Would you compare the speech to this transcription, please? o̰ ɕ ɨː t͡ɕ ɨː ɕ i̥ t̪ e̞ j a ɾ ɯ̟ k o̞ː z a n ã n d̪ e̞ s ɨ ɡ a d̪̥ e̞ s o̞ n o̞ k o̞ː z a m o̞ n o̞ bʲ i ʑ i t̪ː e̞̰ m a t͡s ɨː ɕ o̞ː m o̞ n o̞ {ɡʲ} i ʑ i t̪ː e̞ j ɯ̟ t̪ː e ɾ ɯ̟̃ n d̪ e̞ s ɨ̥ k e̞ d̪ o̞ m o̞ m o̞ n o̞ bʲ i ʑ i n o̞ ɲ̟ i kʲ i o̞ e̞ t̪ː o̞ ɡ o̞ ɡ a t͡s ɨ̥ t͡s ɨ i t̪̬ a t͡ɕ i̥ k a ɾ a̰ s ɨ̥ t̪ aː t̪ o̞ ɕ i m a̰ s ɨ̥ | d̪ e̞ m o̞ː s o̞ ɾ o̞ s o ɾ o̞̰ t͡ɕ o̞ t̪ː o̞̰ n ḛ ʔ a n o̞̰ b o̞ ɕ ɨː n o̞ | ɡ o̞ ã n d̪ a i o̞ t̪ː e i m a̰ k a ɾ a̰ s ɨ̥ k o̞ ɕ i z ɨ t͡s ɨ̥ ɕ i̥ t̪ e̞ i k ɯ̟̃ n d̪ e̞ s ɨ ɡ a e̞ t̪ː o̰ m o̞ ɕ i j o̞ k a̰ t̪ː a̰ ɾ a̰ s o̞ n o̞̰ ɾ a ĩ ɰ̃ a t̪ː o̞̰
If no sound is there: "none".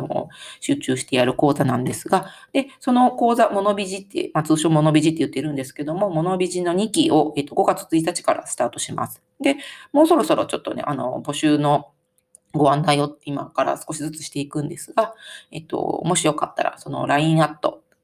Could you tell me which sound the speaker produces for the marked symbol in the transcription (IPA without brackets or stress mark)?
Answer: bʲ